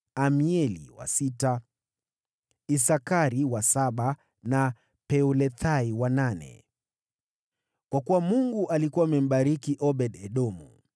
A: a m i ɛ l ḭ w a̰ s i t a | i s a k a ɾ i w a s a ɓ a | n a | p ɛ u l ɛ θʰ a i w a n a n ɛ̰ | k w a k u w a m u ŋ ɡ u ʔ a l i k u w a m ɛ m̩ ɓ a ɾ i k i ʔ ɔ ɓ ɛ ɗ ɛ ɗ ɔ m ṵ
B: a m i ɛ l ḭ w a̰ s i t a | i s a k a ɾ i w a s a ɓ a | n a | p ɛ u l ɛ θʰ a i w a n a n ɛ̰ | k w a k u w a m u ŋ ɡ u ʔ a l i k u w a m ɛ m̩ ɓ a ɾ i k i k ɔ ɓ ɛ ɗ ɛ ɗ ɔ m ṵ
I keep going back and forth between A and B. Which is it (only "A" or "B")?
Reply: A